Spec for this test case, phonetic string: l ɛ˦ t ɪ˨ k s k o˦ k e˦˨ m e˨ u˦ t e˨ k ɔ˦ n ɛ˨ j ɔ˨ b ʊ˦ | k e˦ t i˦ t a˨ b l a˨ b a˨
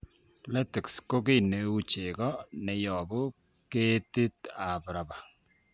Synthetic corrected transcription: l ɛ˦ t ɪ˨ k s k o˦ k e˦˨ n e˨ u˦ t͡ʃ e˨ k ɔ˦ n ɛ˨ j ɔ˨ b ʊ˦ | k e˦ t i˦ t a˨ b ɾ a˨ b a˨